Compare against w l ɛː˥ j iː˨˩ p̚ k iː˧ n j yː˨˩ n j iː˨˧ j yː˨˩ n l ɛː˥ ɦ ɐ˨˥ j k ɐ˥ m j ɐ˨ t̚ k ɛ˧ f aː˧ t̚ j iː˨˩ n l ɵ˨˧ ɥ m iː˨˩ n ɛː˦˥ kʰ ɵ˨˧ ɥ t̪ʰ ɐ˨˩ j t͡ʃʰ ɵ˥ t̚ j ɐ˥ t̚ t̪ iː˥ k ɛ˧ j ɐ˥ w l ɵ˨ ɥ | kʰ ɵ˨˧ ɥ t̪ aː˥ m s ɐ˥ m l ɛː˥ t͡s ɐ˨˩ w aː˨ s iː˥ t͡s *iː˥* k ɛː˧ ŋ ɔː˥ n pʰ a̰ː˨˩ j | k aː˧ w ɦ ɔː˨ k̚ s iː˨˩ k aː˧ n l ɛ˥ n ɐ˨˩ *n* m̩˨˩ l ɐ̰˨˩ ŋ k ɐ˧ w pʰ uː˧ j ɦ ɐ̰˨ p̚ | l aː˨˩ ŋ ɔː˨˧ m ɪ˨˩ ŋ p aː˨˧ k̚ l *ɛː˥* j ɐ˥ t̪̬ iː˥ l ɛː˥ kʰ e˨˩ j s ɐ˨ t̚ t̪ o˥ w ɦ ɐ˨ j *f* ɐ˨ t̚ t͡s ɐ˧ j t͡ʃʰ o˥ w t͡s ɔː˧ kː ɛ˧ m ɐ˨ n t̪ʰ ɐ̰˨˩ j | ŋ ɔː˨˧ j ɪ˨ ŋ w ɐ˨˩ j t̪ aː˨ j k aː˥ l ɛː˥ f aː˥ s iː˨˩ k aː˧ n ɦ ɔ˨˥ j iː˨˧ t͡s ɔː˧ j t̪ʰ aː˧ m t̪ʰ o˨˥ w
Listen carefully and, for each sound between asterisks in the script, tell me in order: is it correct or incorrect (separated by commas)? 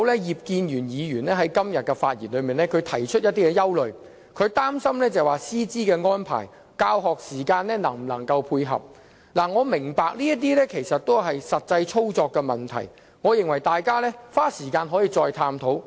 correct, incorrect, incorrect, incorrect